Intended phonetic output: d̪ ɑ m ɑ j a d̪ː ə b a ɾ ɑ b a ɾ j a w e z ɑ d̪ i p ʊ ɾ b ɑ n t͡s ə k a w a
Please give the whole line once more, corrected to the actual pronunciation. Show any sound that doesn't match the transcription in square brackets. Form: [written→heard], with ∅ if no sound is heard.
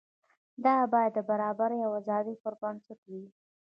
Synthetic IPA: d̪ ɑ [m→b] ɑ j a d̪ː ə b a ɾ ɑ b a ɾ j a w [e→a] z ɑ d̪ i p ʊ ɾ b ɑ n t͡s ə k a w [a→i]